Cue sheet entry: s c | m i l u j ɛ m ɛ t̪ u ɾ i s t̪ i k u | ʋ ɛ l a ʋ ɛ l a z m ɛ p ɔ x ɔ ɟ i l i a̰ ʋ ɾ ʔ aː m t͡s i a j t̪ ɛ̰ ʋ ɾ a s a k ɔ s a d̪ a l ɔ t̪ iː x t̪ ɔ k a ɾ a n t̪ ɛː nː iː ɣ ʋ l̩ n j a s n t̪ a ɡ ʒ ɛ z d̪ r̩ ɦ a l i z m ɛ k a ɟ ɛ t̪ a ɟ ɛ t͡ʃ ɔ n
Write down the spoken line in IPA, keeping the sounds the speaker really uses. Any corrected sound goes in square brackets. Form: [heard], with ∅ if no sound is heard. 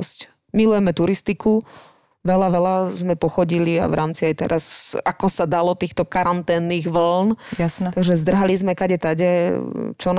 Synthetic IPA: s c | m i l u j ɛ m ɛ t̪ u ɾ i s t̪ i k u | ʋ ɛ l a ʋ ɛ l a z m ɛ p ɔ x ɔ ɟ i l i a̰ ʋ ɾ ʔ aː m t͡s i a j t̪ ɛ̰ [∅] ɾ a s a k ɔ s a d̪ a l ɔ t̪ iː x t̪ ɔ k a ɾ a n t̪ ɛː nː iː ɣ ʋ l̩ n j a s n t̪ a ɡ ʒ ɛ z d̪ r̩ ɦ a l i z m ɛ k a ɟ ɛ t̪ a ɟ ɛ t͡ʃ ɔ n